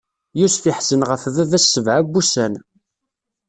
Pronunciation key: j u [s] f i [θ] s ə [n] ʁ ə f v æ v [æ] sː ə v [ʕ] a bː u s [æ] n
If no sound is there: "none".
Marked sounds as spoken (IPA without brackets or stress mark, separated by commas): s, ħ, n, æ, ʕ, æ